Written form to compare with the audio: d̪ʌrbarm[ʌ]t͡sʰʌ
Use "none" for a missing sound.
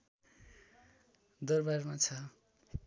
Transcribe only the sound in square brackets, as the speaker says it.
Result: a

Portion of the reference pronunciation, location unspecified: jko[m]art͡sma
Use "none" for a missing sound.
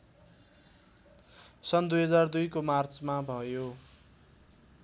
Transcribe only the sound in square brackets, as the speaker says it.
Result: m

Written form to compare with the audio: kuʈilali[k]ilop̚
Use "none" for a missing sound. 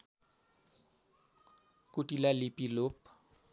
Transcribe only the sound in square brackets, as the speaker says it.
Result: p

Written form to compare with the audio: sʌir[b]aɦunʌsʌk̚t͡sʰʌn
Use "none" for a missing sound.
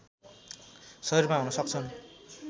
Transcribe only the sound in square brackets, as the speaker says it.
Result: m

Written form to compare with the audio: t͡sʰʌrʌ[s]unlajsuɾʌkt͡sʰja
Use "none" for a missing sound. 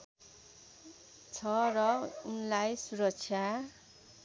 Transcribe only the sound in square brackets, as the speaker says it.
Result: none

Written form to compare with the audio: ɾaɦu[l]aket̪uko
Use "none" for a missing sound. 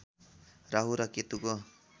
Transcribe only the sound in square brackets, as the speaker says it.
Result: ɾ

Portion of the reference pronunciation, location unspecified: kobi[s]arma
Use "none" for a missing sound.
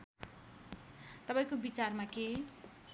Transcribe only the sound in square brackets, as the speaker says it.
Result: t͡s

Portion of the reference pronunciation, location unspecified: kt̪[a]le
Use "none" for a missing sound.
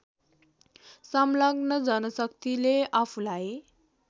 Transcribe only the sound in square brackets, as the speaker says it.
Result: i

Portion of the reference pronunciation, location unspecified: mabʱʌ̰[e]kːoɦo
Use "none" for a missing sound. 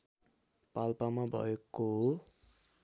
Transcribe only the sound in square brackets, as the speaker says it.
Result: e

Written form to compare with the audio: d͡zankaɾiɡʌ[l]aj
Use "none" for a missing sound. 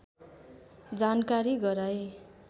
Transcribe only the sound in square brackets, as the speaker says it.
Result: ɾ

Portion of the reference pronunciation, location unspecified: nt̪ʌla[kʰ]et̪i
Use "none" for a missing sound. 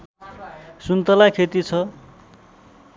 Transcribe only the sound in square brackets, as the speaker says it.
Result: kʰ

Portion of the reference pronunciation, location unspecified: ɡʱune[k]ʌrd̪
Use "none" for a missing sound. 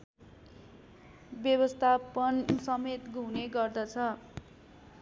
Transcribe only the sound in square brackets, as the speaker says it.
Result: ɡ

